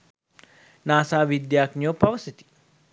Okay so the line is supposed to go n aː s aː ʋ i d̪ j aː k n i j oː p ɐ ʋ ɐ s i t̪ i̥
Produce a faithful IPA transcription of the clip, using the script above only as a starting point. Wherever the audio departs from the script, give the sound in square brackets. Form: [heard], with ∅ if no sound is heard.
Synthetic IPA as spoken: n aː s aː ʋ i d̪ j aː k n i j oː p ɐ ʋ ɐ s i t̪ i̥

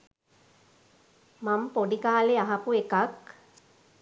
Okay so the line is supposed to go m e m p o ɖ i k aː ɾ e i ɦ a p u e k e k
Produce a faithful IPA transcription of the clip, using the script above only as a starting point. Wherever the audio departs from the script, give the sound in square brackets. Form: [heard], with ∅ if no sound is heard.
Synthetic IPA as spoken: m [a] m p o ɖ i k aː [l] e [a] ɦ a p u e k [a] k

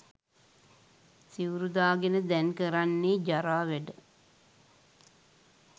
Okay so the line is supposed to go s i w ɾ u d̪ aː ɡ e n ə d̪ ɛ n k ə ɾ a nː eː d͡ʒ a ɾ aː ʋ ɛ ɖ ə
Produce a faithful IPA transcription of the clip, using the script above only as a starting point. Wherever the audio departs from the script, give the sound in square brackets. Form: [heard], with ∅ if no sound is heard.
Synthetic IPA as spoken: s i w ɾ u d̪ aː ɡ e n ə d̪ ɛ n k ə ɾ a nː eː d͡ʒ a ɾ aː ʋ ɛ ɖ ə

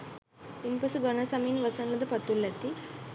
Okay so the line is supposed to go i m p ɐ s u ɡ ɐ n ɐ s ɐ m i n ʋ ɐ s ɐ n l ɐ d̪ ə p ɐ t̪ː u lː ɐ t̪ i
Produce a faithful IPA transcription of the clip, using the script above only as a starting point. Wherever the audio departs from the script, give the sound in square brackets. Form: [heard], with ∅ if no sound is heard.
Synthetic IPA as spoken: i m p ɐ s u ɡ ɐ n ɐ s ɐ m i n ʋ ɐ s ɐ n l ɐ d̪ [ɐ] p ɐ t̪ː u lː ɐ t̪ i

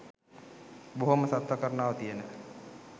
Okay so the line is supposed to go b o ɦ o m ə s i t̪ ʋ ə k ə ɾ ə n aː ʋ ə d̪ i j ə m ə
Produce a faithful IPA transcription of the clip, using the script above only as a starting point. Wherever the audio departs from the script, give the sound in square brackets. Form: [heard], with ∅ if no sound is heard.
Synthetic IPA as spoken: b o ɦ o m ə s [a] t̪ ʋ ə k ə ɾ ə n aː ʋ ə [t̪] i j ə [n] ə

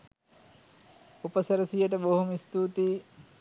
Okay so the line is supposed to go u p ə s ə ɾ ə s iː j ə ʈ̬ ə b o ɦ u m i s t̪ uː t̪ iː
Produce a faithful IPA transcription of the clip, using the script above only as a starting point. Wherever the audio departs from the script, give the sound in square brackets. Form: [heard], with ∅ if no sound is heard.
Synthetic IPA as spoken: u p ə s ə ɾ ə s [i] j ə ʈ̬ ə b o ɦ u m i s t̪ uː t̪ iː

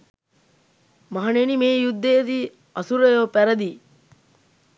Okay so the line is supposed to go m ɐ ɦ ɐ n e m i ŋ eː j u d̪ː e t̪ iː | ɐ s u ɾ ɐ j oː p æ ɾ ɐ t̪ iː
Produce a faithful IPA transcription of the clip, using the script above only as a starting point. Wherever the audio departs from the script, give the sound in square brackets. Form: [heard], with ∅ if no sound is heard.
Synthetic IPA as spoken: m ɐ ɦ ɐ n e [n] i [m] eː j u d̪ː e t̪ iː | ɐ s u ɾ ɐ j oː p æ ɾ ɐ [d̪] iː

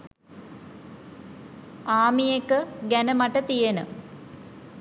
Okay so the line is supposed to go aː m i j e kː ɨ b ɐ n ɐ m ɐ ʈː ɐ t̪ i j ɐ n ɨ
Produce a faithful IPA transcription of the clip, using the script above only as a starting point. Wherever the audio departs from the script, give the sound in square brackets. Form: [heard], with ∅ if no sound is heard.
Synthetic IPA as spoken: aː m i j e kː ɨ [ɡ] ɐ n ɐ m ɐ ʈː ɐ t̪ i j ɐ n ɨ

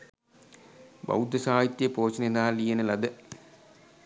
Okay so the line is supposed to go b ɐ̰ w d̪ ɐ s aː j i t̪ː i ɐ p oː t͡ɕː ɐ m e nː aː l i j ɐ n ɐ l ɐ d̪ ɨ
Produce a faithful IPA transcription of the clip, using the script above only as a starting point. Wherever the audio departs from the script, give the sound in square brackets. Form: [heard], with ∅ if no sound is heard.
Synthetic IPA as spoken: b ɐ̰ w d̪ ɐ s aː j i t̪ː [j] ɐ p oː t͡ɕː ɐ [n] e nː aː l i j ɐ n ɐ l ɐ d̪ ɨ

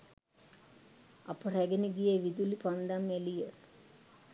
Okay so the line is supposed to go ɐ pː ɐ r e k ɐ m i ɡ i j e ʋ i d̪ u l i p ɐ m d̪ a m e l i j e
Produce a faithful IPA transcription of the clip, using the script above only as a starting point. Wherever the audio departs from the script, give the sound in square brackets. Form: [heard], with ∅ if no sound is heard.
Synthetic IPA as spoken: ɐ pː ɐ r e [ɡ] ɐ [n] i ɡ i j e ʋ i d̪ u l i p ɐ [n] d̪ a m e l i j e

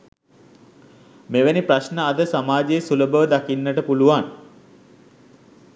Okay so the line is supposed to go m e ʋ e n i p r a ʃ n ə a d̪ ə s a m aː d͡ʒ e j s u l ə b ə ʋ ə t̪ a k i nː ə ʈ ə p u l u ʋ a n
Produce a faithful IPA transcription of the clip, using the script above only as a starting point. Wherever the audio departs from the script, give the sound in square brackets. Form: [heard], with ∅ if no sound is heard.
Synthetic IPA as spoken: m e ʋ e n i p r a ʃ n ə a d̪ ə s a m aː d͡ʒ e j s u l ə b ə ʋ ə [d̪] a k i nː ə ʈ ə p u l u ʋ a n

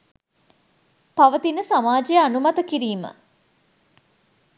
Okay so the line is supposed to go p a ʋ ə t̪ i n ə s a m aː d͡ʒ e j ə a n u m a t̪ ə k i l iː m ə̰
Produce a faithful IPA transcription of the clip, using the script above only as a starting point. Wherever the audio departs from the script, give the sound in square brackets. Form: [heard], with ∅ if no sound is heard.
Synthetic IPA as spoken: p a ʋ ə t̪ i n ə s a m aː d͡ʒ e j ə a n u m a t̪ ə k i [ɾ] iː m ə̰

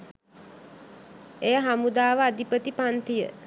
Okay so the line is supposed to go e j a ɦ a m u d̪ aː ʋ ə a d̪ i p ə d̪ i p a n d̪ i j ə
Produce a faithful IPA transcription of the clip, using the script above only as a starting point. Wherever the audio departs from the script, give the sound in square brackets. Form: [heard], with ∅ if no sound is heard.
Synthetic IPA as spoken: e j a ɦ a m u d̪ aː ʋ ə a d̪ i p ə [t̪] i p a n [t̪] i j ə

